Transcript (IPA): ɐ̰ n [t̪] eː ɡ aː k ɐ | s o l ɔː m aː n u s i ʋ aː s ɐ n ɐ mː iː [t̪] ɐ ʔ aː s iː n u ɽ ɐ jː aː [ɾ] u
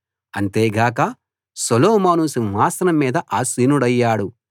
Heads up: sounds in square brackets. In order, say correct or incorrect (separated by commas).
correct, incorrect, incorrect